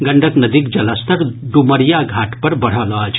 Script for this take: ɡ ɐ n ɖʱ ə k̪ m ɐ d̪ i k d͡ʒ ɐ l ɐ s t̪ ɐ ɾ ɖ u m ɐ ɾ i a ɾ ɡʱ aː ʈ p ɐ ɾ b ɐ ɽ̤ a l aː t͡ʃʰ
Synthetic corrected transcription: ɡ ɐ ɳ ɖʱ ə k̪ n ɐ d̪ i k d͡ʒ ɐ l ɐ s t̪ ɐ ɾ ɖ u m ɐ ɾ j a ɡʱ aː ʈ p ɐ ɾ b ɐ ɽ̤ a l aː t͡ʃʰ